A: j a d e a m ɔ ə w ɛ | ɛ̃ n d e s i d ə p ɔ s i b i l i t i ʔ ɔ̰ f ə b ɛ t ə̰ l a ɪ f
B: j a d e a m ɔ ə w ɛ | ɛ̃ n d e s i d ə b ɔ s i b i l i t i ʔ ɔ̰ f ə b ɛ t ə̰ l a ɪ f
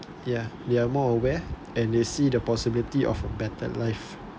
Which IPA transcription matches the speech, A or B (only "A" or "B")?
A